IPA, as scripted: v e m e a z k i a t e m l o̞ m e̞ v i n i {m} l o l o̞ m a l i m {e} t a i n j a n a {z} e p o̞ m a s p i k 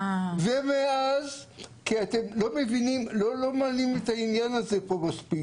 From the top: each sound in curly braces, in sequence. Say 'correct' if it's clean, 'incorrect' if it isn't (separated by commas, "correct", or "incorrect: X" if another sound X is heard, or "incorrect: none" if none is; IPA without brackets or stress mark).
correct, correct, correct